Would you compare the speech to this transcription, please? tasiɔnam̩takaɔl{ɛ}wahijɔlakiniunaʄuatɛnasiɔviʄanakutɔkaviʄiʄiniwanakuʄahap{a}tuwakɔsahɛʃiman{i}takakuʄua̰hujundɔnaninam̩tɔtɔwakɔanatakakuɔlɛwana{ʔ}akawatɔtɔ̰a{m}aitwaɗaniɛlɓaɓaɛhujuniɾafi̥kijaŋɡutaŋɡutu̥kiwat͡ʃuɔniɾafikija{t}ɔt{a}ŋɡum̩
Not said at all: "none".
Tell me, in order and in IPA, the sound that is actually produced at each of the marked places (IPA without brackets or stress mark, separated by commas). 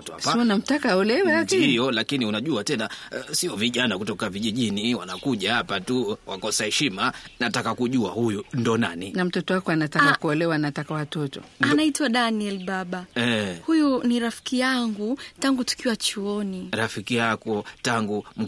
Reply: ɛ, a, a, t, n, k, a